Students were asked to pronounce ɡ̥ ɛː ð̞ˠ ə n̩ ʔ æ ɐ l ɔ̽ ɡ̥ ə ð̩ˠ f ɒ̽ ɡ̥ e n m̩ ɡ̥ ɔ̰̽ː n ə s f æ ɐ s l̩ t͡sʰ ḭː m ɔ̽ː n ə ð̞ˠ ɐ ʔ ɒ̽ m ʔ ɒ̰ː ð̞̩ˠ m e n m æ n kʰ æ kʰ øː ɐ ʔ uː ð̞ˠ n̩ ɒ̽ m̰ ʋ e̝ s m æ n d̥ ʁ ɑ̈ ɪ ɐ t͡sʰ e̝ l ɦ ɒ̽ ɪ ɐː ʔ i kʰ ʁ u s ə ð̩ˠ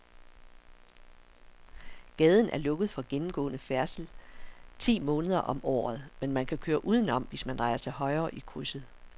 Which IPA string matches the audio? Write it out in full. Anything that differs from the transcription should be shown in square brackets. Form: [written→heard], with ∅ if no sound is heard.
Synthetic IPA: ɡ̥ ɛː ð̞ˠ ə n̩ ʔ æ ɐ l ɔ̽ ɡ̥ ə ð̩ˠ f ɒ̽ ɡ̥ e n m̩ ɡ̥ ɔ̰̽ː n ə [s→∅] f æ ɐ s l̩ t͡sʰ ḭː m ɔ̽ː n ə ð̞ˠ ɐ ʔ ɒ̽ m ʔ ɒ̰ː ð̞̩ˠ m e n m æ n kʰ æ kʰ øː ɐ ʔ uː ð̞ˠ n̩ ɒ̽ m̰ ʋ e̝ s m æ n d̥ ʁ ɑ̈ ɪ ɐ t͡sʰ e̝ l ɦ ɒ̽ ɪ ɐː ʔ i kʰ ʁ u s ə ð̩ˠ